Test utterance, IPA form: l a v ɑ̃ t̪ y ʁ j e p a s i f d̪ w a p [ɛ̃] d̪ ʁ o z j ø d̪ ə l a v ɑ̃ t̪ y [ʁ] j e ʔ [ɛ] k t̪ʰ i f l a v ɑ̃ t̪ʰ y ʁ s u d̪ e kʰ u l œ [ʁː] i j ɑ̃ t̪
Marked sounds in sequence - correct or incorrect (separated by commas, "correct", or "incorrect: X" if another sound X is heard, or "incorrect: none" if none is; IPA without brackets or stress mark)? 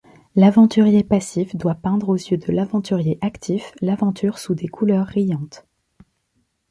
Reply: correct, correct, incorrect: a, correct